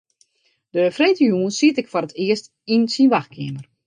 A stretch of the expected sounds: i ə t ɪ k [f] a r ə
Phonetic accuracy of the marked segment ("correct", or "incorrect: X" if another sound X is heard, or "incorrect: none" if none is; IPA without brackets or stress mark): correct